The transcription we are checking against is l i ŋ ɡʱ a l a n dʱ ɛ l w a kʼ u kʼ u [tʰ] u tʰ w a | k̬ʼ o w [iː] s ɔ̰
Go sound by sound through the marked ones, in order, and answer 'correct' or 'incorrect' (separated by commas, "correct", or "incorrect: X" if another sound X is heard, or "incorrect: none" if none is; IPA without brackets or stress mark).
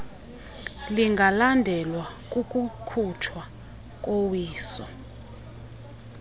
incorrect: kʰ, correct